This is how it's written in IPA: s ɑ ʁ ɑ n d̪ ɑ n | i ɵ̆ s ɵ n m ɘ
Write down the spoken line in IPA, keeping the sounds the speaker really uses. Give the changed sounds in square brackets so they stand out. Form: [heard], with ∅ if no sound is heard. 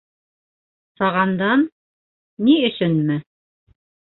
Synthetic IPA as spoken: s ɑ ʁ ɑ n d̪ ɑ [nː] | i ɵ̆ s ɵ n m ɘ